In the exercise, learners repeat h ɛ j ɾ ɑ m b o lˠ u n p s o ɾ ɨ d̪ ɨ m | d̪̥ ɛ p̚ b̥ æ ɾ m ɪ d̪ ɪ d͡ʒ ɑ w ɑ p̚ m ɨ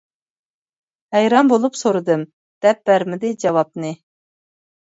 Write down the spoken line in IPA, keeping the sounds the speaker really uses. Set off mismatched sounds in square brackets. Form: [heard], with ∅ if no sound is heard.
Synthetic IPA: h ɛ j ɾ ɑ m b o lˠ u [∅] p s o ɾ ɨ d̪ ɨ m | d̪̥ ɛ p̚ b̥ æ ɾ m ɪ d̪ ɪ d͡ʒ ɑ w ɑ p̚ [n] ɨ